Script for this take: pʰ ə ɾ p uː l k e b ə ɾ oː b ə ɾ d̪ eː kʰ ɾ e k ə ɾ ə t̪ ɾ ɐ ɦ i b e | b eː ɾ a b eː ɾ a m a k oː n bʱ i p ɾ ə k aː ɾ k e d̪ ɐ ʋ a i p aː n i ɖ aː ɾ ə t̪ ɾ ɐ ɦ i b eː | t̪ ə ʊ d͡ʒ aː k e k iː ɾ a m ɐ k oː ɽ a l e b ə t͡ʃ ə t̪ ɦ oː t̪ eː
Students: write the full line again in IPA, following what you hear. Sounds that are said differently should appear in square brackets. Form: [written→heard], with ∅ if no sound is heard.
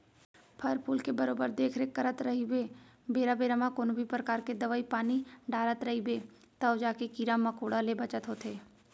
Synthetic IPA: pʰ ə ɾ p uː l k e b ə ɾ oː b ə ɾ d̪ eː kʰ ɾ e k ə ɾ ə t̪ ɾ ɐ ɦ i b e | b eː ɾ a b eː ɾ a m a k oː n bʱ i p ɾ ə k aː ɾ k e d̪ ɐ ʋ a i p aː n i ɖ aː ɾ ə t̪ ɾ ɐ ɦ i b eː | t̪ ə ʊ d͡ʒ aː k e k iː ɾ a m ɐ k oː ɽ a l e b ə t͡ʃ ə t̪ ɦ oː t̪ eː